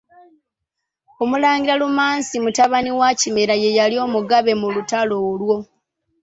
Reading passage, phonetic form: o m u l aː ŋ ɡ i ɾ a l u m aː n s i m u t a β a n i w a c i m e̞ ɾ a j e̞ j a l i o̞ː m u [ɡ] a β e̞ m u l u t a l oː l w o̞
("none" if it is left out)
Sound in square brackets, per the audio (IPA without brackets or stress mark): ɡ